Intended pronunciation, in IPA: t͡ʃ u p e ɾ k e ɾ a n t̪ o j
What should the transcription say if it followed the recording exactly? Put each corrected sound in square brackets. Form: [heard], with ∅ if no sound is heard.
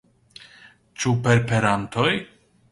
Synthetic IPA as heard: t͡ʃ u p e ɾ [p] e ɾ a n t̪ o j